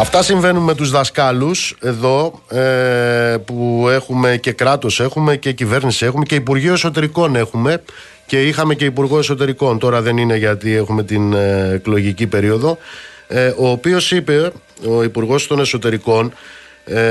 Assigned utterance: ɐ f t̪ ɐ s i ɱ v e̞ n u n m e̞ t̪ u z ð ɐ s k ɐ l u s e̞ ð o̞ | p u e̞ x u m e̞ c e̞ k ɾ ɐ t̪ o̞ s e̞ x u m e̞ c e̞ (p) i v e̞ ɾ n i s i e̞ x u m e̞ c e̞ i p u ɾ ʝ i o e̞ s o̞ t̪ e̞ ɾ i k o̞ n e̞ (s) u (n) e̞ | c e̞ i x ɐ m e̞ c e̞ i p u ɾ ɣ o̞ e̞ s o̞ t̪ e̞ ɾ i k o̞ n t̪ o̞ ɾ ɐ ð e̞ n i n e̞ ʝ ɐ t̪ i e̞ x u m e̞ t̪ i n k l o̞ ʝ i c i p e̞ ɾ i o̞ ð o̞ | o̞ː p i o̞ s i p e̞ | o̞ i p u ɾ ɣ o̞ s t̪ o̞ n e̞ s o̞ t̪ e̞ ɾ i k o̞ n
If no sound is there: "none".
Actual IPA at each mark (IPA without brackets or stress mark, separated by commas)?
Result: c, x, m